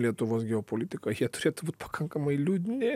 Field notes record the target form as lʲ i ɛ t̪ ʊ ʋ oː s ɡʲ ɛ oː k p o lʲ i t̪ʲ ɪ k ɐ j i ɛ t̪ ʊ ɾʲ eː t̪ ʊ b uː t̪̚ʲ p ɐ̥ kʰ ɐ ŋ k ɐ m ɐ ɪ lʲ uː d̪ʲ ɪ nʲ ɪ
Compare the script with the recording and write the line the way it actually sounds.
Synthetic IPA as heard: lʲ i ɛ t̪ ʊ ʋ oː s ɡʲ ɛ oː p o lʲ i t̪ʲ ɪ k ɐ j i ɛ t̪ ʊ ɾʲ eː t̪ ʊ b uː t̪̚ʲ p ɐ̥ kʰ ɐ ŋ k ɐ m ɐ ɪ lʲ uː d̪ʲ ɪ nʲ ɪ